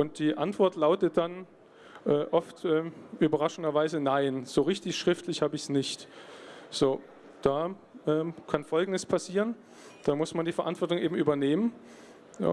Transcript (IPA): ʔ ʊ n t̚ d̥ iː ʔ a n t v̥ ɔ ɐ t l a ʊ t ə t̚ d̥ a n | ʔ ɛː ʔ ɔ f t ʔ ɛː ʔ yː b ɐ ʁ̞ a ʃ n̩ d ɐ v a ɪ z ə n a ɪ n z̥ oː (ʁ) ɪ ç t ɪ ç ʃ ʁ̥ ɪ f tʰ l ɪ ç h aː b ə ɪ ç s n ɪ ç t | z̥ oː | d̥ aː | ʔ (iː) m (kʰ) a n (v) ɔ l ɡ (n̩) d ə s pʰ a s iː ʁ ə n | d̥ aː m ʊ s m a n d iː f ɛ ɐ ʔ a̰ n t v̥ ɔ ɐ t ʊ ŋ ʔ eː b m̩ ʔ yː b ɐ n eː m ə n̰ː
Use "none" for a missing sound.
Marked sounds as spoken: ʁ, ɛː, kʰ, f, ŋ̩

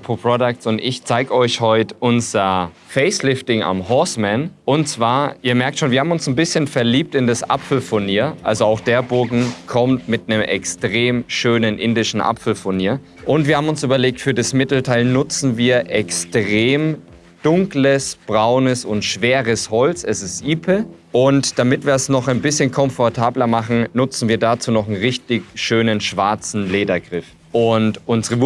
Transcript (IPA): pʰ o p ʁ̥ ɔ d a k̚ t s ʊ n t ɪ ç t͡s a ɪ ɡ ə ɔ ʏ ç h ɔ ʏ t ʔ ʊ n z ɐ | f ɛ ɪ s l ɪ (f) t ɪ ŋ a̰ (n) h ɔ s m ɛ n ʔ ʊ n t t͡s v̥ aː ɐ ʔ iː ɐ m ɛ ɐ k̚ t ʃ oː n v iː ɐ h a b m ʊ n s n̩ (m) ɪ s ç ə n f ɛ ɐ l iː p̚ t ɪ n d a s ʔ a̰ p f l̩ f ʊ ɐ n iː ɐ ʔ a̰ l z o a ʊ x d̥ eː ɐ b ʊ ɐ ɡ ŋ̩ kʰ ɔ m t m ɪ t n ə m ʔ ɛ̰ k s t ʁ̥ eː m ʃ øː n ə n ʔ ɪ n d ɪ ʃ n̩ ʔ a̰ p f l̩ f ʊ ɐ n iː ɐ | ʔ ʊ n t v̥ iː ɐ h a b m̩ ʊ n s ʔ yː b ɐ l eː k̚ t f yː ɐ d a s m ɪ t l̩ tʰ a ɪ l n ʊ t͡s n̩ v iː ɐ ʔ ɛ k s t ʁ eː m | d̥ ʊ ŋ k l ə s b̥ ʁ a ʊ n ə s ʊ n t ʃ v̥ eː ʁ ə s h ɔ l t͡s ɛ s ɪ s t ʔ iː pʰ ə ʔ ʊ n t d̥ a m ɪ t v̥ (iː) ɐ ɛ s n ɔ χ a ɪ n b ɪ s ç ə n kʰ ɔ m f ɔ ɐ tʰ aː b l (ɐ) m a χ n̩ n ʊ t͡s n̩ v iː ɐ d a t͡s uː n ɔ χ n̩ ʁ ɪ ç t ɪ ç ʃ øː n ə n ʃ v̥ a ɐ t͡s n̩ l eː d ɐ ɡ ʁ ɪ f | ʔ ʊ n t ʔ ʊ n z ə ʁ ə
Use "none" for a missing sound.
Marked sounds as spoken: f, m, b, iː, ɐ

